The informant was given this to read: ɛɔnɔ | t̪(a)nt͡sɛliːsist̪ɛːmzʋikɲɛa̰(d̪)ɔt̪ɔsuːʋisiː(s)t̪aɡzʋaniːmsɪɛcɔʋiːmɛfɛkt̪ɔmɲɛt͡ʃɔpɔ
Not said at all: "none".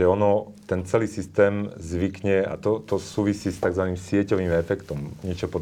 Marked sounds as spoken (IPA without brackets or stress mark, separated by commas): ɛ, t̪, s